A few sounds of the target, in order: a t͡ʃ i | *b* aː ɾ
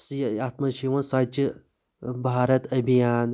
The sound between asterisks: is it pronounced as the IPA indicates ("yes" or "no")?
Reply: yes